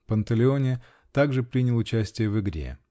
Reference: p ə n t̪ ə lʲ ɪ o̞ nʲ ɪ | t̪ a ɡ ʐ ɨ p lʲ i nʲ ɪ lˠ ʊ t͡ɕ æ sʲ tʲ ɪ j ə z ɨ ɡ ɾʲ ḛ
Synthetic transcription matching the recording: p ə n t̪ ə lʲ ɪ o̞ nʲ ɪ | t̪ a ɡ ʐ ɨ p ɾʲ i nʲ ɪ lˠ ʊ t͡ɕ æ sʲ tʲ ɪ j ə v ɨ ɡ ɾʲ ḛ